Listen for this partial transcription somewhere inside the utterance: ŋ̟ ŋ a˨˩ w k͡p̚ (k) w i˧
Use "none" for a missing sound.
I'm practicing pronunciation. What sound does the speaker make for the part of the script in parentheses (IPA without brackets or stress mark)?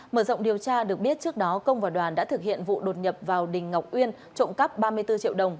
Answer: ʔ